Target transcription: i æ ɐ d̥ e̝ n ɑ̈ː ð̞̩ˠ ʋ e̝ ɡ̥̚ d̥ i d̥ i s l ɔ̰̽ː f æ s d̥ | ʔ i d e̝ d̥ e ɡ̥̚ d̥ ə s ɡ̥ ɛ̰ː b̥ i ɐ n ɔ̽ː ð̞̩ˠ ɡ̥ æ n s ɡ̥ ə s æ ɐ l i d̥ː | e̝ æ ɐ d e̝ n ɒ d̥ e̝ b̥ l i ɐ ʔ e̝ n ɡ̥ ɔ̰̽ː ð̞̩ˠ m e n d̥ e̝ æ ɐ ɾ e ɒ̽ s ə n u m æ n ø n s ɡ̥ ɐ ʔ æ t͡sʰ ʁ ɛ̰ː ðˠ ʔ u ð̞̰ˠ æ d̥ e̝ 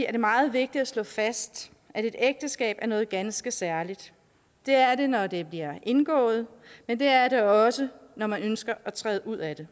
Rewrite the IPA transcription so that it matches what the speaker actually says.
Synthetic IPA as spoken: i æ ɐ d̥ e̝ m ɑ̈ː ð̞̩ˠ ʋ e̝ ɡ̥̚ d̥ i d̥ æ s l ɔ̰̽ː f æ s d̥ | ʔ æ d e̝ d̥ e ɡ̥̚ d̥ ə s ɡ̥ ɛ̰ː b̥ æ ɐ n ɔ̽ː ð̞̩ˠ ɡ̥ æ n s ɡ̥ ə s æ ɐ l i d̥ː | e̝ æ ɐ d e̝ n ɒ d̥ e̝ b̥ l i ɐ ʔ e̝ n ɡ̥ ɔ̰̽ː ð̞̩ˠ m e n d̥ e̝ æ ɐ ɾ e ɒ̽ s ə n ɒ m æ n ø n s ɡ̥ ɐ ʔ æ t͡sʰ ʁ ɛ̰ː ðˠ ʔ u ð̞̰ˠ æ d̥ e̝